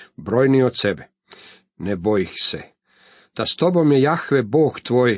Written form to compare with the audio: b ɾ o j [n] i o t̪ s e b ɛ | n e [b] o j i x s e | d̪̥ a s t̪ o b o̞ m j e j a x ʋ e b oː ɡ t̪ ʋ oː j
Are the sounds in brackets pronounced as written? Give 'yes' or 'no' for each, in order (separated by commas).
yes, yes